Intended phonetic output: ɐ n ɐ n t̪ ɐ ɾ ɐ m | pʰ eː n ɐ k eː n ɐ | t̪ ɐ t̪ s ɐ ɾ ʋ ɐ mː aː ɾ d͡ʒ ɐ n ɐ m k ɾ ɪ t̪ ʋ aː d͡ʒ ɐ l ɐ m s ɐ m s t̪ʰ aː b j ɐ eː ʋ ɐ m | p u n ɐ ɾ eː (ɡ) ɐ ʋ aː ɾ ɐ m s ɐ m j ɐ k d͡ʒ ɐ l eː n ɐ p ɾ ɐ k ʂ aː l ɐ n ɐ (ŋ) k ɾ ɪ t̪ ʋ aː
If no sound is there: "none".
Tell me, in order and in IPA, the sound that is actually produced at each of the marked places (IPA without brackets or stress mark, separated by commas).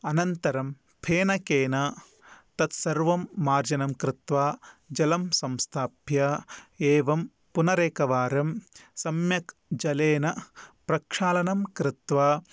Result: k, m